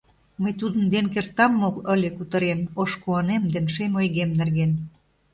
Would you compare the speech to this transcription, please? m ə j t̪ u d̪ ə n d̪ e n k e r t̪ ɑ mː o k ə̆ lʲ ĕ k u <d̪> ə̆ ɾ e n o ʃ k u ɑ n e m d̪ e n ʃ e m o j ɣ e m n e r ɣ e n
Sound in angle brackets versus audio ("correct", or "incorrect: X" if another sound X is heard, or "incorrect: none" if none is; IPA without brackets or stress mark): incorrect: t̪